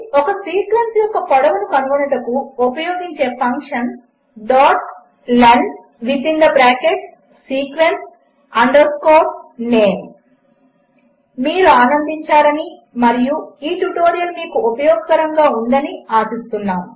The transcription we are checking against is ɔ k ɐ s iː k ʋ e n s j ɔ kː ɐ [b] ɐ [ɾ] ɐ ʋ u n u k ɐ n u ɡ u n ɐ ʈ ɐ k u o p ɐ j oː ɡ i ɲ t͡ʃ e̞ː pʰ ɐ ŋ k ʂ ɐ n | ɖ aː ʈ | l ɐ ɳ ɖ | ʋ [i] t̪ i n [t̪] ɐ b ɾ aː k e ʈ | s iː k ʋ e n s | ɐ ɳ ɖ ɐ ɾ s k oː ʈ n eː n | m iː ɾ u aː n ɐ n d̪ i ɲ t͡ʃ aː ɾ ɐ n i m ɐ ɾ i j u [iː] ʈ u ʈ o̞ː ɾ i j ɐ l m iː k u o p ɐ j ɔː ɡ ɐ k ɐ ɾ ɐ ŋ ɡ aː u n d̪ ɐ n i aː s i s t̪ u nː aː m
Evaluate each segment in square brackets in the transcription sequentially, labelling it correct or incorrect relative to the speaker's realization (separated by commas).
incorrect, incorrect, correct, incorrect, correct